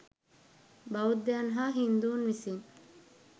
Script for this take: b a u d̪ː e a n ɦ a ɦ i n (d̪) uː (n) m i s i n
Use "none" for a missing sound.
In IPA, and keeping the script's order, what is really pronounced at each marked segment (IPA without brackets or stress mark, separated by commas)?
d̪, n